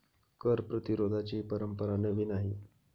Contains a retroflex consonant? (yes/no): no